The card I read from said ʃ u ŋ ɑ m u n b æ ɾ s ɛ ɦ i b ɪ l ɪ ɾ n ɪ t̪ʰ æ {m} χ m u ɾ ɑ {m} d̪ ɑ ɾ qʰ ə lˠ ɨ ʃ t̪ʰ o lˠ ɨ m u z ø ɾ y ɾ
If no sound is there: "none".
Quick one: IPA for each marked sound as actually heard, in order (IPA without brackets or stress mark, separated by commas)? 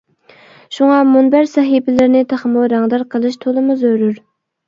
none, ŋ